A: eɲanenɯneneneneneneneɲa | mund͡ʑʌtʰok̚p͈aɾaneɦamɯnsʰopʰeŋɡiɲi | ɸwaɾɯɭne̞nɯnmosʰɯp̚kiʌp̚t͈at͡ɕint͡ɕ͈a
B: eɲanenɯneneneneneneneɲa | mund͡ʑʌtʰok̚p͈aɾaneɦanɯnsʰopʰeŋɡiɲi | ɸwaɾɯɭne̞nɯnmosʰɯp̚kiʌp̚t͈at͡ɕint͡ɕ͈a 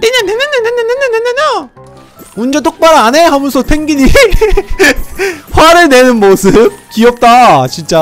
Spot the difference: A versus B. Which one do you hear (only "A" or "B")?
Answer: A